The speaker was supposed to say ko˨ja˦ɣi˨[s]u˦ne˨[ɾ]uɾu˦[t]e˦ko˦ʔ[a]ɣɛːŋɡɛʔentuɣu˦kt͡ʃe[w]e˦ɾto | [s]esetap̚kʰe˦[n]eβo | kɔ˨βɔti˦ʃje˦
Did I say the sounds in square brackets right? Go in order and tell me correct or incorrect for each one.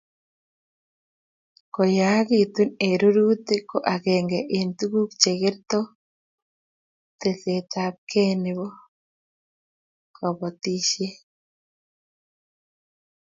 incorrect: t, correct, correct, correct, incorrect: ɣ, incorrect: t, correct

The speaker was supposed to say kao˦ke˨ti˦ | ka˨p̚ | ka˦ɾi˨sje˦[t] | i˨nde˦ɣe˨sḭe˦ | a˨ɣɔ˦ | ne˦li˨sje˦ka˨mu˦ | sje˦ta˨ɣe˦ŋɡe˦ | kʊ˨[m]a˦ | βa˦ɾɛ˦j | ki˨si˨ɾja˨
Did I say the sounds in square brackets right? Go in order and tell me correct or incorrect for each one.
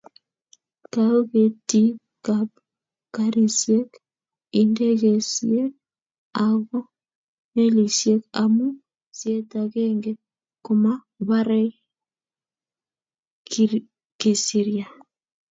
incorrect: k, correct

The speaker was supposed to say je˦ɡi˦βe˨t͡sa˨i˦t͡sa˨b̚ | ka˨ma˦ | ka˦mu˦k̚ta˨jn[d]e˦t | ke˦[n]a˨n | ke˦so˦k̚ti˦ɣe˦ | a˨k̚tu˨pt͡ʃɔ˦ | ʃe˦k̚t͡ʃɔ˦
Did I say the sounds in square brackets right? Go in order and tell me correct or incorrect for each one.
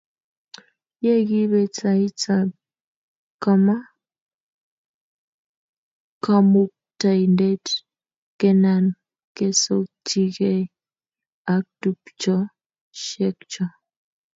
correct, correct

